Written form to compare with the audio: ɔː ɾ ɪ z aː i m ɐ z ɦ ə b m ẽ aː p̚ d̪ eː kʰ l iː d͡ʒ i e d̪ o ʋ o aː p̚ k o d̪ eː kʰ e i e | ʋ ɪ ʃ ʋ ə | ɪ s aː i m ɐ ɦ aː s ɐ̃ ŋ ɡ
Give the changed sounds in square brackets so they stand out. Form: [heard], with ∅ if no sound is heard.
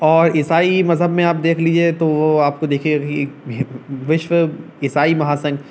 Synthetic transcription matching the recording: ɔː ɾ ɪ [s] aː i m ɐ z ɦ ə b m ẽ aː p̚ d̪ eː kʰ l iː d͡ʒ i e [t̪] o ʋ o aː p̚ k o d̪ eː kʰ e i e | ʋ ɪ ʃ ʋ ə | ɪ s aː i m ɐ ɦ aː s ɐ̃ ŋ ɡ